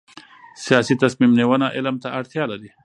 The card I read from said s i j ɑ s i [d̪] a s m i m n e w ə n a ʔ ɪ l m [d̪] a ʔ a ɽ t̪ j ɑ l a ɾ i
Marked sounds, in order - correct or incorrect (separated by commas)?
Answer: incorrect, incorrect